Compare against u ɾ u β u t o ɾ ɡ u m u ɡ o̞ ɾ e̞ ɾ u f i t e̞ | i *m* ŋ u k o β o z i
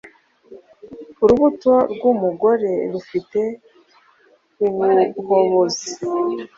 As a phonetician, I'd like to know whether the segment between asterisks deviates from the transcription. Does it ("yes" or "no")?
yes